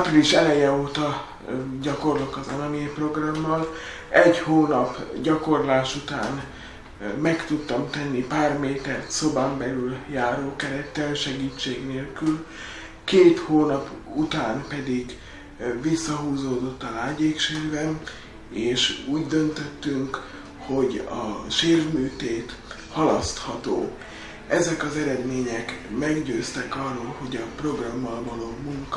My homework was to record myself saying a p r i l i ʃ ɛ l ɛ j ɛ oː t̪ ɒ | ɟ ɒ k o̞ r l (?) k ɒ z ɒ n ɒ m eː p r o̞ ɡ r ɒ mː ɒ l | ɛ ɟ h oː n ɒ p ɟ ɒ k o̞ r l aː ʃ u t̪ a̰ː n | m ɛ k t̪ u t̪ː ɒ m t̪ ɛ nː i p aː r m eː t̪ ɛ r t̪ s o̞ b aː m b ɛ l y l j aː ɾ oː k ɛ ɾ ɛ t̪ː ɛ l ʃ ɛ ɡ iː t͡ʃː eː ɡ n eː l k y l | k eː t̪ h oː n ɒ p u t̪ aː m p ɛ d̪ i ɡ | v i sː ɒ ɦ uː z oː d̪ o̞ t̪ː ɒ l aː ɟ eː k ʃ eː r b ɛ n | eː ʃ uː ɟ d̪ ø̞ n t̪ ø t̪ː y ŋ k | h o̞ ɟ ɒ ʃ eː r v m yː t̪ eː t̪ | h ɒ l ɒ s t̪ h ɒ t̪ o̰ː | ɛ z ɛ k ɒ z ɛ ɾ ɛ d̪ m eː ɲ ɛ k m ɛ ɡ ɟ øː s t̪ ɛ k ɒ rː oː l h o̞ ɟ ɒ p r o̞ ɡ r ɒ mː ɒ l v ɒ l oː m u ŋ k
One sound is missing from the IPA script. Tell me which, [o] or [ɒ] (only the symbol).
o